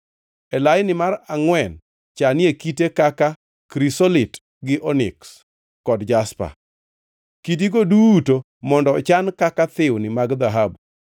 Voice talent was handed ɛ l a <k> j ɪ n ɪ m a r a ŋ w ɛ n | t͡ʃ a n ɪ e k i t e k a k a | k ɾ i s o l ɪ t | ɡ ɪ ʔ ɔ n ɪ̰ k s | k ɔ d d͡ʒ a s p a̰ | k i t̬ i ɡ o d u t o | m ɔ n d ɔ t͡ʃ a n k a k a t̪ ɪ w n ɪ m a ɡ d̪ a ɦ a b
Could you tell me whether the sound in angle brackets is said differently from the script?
yes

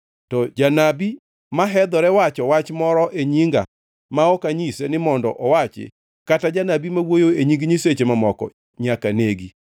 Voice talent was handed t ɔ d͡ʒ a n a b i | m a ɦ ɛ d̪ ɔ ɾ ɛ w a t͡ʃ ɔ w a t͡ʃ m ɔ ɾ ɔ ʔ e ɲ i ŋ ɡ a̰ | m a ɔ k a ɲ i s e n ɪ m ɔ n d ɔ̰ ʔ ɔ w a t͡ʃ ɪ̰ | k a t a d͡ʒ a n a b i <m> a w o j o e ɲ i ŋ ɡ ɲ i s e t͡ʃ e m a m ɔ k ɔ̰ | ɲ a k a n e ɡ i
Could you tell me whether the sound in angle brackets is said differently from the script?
no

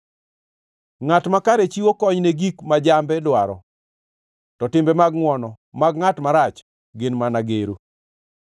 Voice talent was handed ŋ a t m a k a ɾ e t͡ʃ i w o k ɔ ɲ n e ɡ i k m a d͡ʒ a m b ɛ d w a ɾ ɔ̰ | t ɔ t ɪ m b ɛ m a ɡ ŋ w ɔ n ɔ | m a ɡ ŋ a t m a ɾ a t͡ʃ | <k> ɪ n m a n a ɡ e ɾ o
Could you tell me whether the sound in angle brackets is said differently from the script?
yes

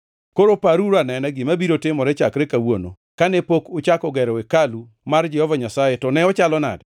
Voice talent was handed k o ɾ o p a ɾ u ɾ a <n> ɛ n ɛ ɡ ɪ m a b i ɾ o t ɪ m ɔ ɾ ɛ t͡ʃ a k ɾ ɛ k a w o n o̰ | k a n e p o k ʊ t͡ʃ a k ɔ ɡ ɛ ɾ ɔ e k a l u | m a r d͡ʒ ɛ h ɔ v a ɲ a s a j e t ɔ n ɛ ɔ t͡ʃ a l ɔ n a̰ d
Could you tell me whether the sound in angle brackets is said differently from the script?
no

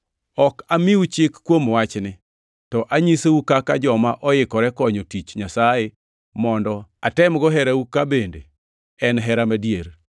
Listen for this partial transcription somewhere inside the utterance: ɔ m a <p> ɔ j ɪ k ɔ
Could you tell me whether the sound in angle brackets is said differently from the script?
yes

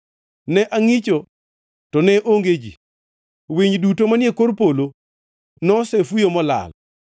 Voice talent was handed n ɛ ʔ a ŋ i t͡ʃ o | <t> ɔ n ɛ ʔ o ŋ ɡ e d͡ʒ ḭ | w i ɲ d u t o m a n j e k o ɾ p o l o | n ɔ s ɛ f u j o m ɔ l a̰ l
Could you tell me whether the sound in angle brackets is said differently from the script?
no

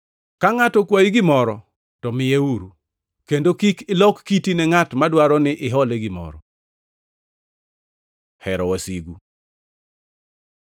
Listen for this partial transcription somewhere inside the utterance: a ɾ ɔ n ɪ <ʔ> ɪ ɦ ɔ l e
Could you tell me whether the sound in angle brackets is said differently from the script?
no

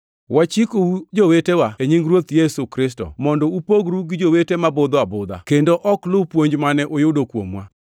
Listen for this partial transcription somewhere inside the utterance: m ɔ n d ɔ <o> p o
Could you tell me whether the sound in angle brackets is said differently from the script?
yes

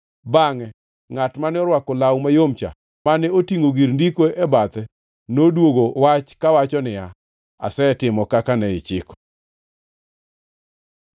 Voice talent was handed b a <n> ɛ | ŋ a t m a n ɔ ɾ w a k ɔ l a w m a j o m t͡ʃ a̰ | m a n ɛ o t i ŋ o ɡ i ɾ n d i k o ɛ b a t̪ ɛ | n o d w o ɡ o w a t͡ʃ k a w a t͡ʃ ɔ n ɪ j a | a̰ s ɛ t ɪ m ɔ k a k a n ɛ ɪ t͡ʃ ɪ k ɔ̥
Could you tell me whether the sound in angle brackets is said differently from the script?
yes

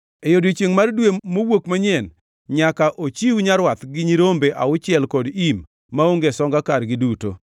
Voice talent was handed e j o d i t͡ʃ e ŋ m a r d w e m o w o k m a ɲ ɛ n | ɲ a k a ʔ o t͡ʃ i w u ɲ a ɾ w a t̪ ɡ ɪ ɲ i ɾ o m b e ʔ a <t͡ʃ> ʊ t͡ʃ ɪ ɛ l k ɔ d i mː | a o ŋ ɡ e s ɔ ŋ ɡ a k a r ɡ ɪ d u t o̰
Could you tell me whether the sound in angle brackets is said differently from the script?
yes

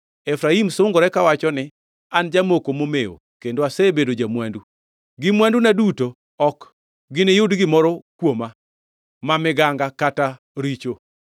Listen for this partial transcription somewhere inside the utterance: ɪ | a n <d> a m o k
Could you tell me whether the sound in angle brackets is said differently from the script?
yes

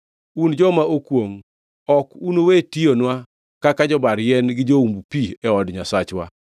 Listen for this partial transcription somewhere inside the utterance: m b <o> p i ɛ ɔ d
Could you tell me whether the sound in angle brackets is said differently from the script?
yes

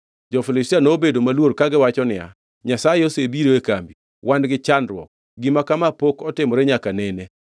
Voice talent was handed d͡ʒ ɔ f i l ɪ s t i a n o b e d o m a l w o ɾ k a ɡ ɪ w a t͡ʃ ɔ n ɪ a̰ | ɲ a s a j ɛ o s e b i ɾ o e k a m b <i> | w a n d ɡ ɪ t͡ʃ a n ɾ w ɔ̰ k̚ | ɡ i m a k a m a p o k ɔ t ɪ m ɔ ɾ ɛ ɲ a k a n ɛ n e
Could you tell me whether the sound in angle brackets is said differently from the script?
no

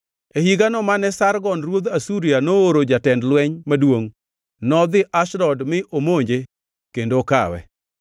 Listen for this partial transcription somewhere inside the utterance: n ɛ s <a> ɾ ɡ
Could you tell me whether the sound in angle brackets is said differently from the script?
no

